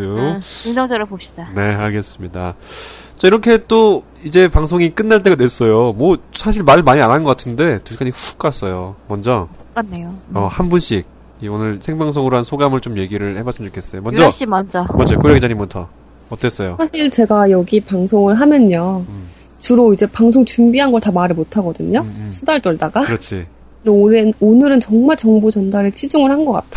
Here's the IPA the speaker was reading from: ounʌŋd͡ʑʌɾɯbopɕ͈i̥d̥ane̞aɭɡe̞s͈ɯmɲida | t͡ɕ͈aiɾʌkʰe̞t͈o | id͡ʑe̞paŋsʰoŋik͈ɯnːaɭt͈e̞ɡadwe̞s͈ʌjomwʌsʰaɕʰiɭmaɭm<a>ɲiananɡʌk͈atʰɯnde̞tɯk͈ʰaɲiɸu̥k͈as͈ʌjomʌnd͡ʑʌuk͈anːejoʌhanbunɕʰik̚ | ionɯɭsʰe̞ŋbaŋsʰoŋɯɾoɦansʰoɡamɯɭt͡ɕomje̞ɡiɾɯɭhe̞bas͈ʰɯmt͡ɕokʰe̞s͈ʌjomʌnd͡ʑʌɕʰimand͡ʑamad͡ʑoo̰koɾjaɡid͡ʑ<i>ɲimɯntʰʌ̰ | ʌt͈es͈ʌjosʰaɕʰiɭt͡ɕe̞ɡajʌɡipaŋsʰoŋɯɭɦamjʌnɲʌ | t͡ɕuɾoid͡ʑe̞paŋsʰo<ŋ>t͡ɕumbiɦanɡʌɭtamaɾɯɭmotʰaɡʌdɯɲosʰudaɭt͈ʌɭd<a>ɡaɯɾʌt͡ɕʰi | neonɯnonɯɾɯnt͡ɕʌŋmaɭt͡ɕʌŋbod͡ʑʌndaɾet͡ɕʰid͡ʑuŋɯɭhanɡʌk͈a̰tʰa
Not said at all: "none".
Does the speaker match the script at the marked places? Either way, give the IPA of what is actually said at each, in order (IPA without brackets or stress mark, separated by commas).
a, a, ŋ, a